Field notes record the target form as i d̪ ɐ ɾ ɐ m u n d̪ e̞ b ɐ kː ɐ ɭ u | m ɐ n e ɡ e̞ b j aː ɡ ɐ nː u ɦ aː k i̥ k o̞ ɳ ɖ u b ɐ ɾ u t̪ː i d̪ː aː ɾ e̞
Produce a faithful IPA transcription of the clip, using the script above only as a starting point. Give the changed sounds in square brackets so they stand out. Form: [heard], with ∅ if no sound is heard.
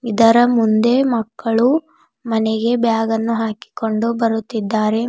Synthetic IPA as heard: i d̪ ɐ ɾ ɐ m u n d̪ e̞ [m] ɐ kː ɐ ɭ u | m ɐ n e ɡ e̞ b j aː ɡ ɐ nː u ɦ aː k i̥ k o̞ ɳ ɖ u b ɐ ɾ u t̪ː i d̪ː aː ɾ e̞